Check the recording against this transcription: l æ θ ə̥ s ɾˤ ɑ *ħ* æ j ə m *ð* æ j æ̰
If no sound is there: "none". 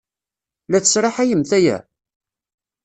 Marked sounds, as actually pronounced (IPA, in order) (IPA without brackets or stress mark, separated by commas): ħ, θ